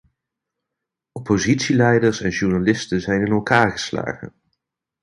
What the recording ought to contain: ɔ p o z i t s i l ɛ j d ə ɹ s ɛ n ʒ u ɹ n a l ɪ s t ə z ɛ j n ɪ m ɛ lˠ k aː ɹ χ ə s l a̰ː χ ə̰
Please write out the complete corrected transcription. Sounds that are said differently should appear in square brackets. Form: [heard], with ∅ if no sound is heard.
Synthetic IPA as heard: ɔ p o z i t s i l ɛ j d ə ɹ s ɛ n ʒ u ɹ n a l ɪ s t ə z ɛ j n ɪ [n] ɛ lˠ k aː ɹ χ ə s l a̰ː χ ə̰